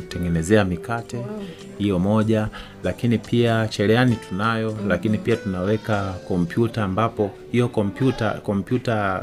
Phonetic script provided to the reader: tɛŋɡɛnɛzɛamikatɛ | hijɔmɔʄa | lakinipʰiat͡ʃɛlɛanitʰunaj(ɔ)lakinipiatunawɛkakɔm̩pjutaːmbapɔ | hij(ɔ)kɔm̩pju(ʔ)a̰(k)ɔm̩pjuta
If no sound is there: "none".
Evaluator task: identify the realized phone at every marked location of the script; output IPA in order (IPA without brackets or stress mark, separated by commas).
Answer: ɔ, ɔ, t, k